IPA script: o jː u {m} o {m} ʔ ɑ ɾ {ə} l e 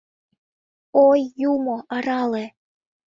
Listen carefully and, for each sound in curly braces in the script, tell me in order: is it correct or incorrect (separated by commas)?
correct, incorrect, incorrect